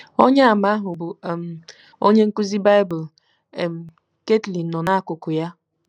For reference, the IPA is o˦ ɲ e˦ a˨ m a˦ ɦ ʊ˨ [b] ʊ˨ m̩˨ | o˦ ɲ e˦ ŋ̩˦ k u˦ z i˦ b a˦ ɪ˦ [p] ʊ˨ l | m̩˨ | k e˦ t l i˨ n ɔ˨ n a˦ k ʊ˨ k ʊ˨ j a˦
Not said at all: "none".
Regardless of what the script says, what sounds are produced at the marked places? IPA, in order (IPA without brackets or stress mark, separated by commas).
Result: b, b